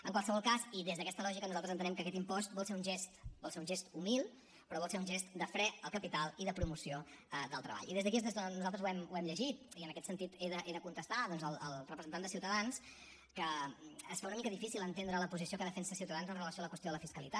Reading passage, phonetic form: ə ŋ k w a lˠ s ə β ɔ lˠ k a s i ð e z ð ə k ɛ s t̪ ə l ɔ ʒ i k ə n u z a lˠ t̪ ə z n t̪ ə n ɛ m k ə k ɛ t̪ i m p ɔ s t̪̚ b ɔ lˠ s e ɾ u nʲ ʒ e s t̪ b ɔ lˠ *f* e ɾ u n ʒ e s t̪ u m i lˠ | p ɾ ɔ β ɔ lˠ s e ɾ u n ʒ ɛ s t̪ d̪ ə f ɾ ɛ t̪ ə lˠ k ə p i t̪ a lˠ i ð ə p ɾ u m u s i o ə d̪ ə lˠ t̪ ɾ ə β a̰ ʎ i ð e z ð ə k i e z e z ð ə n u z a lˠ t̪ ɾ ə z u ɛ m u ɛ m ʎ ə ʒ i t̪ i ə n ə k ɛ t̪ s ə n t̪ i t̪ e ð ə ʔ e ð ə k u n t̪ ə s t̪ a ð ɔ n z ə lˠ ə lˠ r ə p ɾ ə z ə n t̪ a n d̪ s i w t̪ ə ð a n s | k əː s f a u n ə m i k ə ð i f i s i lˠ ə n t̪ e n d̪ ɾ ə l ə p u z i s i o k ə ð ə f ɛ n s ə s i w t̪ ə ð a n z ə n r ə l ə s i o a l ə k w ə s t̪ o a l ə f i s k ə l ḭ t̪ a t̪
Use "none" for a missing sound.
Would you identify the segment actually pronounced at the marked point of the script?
s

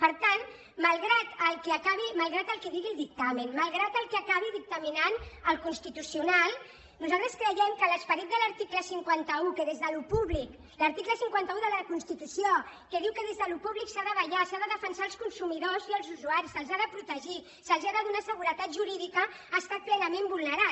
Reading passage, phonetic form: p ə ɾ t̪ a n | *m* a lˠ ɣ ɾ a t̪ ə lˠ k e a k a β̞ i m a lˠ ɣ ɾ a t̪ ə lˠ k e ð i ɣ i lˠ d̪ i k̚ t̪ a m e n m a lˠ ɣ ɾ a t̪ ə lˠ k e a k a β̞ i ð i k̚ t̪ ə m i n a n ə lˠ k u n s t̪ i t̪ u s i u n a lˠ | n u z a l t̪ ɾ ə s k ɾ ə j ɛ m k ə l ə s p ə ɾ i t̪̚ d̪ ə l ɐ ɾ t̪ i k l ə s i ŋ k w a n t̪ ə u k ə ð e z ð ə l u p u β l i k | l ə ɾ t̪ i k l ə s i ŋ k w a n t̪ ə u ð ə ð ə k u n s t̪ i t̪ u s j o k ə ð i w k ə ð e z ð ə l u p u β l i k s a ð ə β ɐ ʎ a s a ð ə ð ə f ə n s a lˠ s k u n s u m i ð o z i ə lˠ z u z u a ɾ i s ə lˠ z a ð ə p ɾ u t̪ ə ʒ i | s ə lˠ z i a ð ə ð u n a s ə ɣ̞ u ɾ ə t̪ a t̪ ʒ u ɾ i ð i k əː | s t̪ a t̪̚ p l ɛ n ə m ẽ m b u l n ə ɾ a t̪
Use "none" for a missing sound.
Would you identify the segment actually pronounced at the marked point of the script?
m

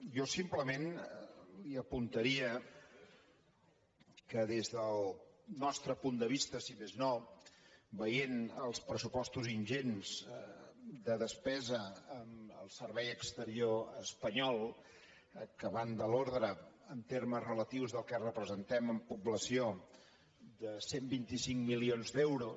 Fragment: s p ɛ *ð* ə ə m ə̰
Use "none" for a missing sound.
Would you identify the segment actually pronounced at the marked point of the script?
z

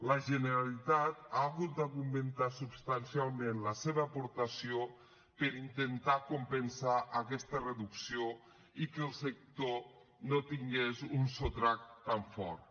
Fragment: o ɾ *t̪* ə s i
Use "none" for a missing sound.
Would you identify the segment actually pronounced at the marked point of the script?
t̪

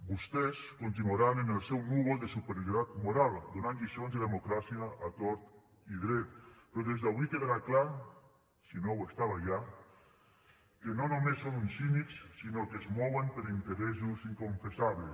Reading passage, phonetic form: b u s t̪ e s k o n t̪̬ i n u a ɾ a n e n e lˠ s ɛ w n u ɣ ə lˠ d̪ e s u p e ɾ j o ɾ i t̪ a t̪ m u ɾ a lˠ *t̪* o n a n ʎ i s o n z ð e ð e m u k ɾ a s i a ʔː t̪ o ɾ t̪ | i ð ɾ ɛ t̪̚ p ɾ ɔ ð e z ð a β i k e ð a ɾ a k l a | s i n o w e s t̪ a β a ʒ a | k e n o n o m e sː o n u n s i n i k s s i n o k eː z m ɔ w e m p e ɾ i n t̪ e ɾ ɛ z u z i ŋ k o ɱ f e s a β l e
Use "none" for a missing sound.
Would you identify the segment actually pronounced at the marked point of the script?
d̪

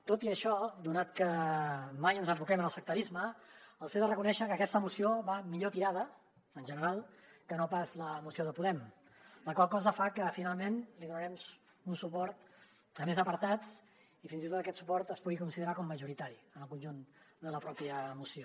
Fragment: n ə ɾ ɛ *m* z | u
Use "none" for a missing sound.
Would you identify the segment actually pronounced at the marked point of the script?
m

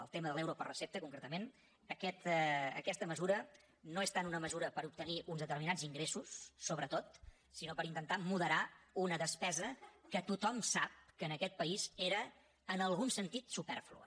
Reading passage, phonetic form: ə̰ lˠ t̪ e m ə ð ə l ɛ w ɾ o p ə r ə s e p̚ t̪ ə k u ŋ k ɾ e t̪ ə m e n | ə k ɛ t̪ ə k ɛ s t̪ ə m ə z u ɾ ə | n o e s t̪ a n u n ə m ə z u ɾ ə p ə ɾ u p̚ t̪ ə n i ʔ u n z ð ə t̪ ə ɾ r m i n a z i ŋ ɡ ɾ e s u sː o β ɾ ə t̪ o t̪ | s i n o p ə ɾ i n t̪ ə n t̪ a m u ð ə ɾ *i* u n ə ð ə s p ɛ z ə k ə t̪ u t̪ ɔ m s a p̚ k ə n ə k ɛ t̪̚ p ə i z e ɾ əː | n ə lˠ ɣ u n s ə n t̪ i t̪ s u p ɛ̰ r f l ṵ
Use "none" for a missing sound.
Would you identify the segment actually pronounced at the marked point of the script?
a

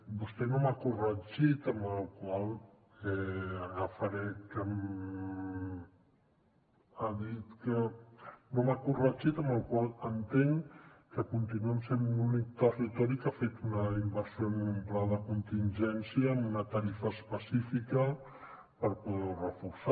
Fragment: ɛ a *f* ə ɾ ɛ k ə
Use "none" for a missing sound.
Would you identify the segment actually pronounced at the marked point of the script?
f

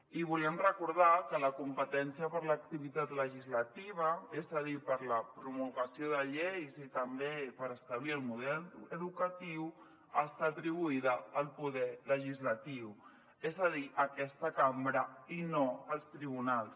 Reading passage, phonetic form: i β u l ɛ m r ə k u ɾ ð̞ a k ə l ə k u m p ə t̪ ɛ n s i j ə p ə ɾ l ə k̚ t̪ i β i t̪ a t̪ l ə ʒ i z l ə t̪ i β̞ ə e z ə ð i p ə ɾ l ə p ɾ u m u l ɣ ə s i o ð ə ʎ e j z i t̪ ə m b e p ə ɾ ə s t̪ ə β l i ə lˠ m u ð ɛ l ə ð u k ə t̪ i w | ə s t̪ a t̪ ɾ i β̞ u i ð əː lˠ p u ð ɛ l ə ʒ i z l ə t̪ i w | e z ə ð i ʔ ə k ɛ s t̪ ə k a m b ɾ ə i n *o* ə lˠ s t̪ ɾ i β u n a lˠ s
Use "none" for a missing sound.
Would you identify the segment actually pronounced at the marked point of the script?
o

